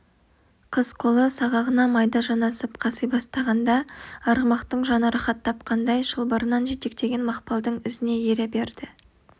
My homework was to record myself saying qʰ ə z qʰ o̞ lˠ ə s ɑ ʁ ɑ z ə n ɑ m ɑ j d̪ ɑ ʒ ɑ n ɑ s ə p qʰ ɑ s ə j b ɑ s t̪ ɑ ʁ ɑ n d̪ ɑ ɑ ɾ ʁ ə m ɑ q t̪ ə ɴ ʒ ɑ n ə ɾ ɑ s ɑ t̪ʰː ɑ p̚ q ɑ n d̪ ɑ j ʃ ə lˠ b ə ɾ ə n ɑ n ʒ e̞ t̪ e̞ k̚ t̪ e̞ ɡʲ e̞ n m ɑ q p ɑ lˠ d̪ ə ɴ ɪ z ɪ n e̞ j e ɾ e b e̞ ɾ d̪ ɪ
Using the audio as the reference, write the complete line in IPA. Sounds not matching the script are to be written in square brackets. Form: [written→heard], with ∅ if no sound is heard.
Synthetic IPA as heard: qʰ ə z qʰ o̞ lˠ ə s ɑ ʁ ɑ [z→ʁ] ə n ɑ m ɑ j d̪ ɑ ʒ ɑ n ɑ s ə p qʰ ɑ s ə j b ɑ s t̪ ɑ ʁ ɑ n d̪ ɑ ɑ ɾ ʁ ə m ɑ q t̪ ə ɴ ʒ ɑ n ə ɾ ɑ [s→χ] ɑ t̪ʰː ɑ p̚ q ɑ n d̪ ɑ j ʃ ə lˠ b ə ɾ ə n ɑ n ʒ e̞ t̪ e̞ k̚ t̪ e̞ ɡʲ e̞ n m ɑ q p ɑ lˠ d̪ ə ɴ ɪ z ɪ n e̞ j e ɾ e b e̞ ɾ d̪ ɪ